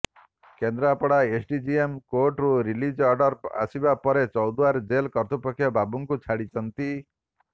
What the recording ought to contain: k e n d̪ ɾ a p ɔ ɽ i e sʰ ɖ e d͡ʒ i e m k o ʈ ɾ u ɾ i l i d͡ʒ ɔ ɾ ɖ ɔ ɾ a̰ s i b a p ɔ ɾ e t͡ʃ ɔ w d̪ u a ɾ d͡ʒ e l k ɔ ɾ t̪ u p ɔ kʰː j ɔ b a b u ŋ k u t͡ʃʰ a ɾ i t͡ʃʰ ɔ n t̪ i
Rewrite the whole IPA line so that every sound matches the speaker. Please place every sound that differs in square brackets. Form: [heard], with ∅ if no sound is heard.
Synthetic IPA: k e n d̪ ɾ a p ɔ ɽ [a] e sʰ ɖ [i] d͡ʒ i e m k o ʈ ɾ u ɾ i l i d͡ʒ ɔ ɾ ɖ ɔ ɾ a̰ s i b a p ɔ ɾ e t͡ʃ ɔ w d̪ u a ɾ d͡ʒ e l k ɔ ɾ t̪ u p ɔ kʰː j ɔ b a b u ŋ k u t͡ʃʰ a [ɽ] i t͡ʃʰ ɔ n t̪ i